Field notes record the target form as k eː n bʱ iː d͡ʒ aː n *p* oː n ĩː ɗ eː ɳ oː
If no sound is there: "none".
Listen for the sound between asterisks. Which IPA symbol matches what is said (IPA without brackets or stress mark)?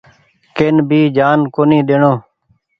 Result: k